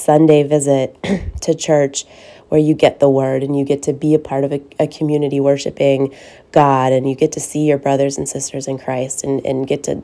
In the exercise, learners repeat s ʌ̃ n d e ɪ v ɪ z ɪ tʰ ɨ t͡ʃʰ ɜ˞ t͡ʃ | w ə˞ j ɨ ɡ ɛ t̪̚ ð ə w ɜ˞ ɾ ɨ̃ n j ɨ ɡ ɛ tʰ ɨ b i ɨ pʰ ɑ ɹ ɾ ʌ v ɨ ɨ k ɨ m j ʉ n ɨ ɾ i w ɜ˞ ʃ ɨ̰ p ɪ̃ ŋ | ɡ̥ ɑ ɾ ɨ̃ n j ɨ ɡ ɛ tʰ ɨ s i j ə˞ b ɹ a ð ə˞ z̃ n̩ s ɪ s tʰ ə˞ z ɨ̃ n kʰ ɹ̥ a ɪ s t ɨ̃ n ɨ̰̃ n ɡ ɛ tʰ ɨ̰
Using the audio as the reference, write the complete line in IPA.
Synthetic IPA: s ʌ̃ n d e ɪ v ɪ z ɪ tʰ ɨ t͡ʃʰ ɜ˞ t͡ʃ | w ə˞ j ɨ ɡ ɛ t̪̚ ð ə w ɜ˞ ɾ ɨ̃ n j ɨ ɡ ɛ tʰ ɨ b i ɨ pʰ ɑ ɹ ɾ ʌ v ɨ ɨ kʰ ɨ m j ʉ n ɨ ɾ i w ɜ˞ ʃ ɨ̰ p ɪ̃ ŋ | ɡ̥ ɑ ɾ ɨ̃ n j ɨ ɡ ɛ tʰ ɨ s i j ə˞ b ɹ ʌ ð ə˞ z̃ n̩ s ɪ s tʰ ə˞ z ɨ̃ n kʰ ɹ̥ a ɪ s t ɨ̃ n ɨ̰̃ n ɡ ɛ tʰ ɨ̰